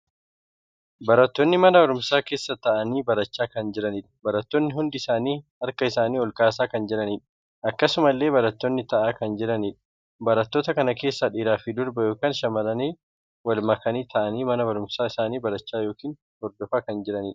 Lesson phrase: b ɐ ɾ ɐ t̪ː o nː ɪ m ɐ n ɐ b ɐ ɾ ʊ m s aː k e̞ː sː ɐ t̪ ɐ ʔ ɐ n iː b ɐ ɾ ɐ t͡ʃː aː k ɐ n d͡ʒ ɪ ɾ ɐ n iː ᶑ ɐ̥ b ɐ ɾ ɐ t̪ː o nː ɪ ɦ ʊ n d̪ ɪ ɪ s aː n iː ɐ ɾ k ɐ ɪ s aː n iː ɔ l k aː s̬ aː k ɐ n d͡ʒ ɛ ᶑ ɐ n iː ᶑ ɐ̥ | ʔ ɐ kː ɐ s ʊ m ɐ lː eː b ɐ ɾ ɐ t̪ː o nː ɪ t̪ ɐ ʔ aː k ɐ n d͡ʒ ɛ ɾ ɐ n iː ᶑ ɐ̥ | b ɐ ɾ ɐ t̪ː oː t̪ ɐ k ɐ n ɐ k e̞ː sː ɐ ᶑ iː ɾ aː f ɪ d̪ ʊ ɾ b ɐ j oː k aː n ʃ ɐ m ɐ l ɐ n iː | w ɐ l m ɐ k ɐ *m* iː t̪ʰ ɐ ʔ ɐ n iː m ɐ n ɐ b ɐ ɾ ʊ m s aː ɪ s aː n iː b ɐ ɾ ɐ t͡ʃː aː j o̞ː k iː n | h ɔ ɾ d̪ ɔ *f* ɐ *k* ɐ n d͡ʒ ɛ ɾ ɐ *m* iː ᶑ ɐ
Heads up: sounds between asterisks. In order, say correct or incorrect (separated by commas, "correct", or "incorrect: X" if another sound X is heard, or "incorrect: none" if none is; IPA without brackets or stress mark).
incorrect: n, correct, correct, incorrect: n